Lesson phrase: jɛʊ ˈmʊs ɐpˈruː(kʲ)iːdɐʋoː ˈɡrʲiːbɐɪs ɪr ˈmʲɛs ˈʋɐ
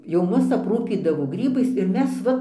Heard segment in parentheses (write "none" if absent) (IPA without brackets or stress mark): pʲ